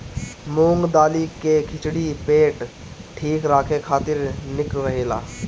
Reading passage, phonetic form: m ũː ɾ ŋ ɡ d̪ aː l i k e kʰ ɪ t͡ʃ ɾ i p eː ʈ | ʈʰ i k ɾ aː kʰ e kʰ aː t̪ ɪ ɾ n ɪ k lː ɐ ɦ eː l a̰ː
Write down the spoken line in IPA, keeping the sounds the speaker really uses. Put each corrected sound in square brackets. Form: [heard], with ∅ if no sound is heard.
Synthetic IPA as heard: m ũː [∅] ŋ ɡ d̪ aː l i k e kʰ ɪ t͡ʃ [ɽ] i p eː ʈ | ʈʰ [iː] k ɾ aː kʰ e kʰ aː t̪ ɪ ɾ n ɪ k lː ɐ ɦ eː l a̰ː